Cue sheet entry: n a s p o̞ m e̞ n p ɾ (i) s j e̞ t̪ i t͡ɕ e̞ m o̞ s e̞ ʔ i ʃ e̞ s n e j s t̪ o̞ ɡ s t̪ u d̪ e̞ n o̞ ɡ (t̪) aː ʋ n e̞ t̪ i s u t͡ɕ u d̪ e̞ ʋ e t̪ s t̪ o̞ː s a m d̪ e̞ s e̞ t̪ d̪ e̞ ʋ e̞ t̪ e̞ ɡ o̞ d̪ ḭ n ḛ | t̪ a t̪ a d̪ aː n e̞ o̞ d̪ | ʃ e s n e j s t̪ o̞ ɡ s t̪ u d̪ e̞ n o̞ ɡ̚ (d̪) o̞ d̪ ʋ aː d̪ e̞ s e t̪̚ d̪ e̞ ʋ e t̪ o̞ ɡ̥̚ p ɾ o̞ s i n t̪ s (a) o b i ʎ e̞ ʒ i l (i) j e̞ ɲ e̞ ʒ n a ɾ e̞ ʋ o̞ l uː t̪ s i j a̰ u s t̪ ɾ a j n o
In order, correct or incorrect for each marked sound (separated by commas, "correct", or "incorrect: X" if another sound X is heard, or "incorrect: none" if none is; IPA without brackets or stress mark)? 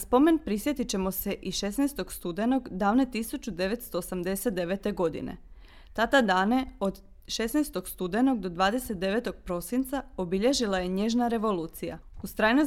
correct, incorrect: d̪, correct, correct, incorrect: a